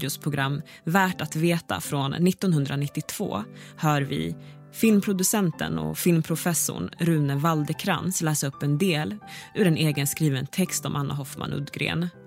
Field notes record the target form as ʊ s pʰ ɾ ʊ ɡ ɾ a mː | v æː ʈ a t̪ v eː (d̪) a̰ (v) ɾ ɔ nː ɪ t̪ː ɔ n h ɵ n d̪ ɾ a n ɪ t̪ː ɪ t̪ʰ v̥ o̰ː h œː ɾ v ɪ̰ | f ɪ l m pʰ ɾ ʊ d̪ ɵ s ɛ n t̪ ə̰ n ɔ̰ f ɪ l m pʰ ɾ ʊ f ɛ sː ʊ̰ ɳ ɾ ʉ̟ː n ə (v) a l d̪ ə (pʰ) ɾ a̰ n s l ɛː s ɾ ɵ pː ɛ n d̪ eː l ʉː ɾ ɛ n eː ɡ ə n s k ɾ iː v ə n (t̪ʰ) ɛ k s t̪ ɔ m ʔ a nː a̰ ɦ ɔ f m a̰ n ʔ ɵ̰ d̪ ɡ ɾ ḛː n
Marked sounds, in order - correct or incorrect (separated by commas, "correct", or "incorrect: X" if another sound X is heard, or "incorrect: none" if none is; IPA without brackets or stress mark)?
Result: incorrect: t̪, incorrect: f, correct, incorrect: kʰ, correct